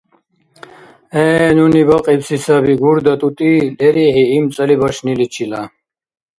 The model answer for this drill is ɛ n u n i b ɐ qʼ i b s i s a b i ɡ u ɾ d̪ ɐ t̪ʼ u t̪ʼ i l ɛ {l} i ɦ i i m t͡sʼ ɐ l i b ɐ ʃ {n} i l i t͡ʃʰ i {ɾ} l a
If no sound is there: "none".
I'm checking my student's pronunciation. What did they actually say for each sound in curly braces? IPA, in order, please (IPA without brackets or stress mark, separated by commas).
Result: ɾ, n, none